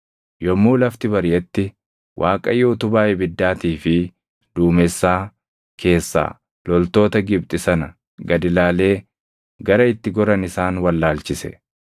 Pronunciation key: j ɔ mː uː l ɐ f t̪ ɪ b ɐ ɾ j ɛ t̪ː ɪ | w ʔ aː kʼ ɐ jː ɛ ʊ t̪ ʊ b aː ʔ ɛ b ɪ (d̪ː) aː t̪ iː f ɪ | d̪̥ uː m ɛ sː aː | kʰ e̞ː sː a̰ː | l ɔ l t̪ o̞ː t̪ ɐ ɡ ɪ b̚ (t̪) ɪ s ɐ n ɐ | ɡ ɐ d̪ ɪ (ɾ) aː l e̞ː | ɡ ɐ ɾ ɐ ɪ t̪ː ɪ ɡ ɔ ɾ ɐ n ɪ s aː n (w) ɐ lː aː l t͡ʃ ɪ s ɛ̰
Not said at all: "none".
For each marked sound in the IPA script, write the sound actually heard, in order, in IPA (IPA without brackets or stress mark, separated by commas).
d̪ː, t̪ʼ, l, w